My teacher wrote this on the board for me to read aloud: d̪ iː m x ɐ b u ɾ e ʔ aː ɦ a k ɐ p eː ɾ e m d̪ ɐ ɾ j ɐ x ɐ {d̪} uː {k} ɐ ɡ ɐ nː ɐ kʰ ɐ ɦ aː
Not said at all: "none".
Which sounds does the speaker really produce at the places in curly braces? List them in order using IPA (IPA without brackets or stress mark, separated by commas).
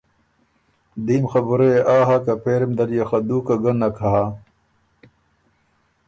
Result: d̪, k